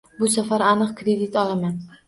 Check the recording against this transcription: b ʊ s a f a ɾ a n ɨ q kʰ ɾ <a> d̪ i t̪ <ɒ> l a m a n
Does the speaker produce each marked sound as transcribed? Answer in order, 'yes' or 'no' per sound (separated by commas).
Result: no, yes